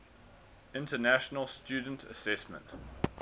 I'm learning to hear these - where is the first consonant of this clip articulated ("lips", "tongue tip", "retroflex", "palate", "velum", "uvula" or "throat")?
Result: tongue tip